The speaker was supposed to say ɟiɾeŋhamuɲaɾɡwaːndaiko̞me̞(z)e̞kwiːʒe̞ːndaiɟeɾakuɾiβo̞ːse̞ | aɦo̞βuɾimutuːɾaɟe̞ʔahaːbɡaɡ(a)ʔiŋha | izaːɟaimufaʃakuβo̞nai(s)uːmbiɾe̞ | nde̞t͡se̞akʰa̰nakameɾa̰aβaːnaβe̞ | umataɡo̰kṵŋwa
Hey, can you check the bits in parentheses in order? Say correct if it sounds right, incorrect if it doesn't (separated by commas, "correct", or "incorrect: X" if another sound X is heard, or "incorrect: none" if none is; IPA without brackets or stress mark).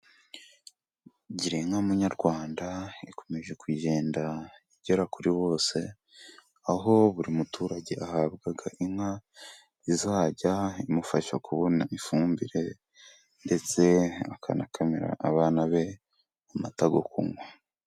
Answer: incorrect: ʒ, correct, incorrect: f